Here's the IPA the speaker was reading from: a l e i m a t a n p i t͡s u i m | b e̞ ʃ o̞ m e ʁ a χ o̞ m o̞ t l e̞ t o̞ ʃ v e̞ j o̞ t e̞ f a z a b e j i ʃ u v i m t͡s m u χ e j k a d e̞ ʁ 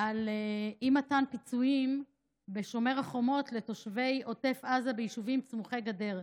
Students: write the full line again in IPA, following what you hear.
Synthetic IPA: a l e i m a t a n p i t͡s u i m | b e̞ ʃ o̞ m e ʁ a χ o̞ m o̞ t l e̞ t o̞ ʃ v e̞ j o̞ t e̞ f a z a b e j i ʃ u v i m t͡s m u χ e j ɡ a d e̞ ʁ